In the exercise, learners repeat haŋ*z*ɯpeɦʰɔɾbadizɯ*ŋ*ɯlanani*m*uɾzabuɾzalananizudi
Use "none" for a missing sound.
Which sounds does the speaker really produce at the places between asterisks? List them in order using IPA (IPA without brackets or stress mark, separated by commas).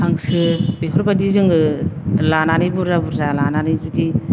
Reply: s, ŋ, b